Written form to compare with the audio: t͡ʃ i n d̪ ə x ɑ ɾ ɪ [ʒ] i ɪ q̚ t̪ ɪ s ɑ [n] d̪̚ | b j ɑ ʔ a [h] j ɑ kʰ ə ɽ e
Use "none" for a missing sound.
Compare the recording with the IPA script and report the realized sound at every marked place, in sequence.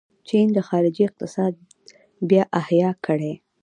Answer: d͡ʒ, none, h

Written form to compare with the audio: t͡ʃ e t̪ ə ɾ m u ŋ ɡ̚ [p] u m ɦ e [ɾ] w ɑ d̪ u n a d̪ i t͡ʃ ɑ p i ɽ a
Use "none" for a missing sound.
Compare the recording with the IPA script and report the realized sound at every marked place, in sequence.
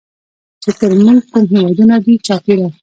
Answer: k, none

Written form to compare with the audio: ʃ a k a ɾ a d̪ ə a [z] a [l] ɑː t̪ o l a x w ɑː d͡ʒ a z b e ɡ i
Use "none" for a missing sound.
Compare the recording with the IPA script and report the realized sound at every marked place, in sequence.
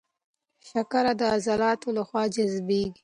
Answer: z, l

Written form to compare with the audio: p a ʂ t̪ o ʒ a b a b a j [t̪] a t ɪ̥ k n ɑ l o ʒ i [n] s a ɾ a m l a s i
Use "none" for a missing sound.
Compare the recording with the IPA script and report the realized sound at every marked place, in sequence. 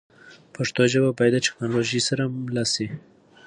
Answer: d̪, none

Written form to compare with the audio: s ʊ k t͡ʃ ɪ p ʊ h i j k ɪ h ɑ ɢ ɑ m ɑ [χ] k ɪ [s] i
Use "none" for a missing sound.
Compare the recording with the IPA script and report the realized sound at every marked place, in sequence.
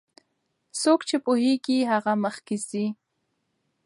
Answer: χ, s

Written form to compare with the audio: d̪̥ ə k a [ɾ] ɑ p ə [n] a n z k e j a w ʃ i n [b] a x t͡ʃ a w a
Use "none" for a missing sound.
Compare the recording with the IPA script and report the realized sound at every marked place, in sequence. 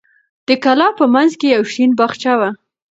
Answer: l, m, b

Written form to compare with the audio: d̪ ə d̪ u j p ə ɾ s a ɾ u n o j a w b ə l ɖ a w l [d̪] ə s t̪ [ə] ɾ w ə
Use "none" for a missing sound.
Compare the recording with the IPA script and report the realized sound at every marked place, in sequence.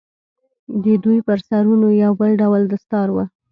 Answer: d̪, ɑ

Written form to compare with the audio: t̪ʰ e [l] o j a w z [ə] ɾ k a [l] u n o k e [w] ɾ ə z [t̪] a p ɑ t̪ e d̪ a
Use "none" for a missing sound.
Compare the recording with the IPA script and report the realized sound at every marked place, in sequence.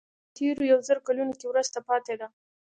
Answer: ɾ, ə, l, w, t̪

